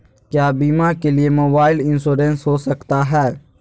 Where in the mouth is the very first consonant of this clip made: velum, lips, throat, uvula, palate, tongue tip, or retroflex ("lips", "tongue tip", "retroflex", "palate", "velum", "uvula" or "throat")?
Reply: velum